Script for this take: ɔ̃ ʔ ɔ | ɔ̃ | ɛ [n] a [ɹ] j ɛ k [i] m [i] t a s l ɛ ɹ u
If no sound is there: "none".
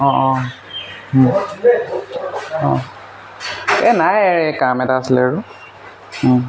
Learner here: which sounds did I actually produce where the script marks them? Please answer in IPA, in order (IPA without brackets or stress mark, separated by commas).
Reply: n, none, a, ɛ